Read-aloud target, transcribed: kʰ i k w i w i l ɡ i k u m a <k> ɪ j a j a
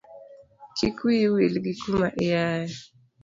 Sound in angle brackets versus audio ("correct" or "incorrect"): incorrect